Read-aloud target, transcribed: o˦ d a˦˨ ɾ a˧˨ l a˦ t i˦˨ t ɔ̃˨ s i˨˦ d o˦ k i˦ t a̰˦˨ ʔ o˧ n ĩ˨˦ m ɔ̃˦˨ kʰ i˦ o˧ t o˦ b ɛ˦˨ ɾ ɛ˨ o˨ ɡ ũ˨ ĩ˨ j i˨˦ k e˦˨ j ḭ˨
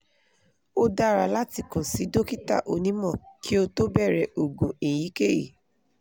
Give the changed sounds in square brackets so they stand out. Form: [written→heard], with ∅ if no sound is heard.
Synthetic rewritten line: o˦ d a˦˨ ɾ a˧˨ l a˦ t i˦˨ [t→k] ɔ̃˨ s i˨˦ d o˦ k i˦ t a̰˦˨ ʔ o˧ n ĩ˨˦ m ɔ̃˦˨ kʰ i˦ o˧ t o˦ b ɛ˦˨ ɾ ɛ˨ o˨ ɡ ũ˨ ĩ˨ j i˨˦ k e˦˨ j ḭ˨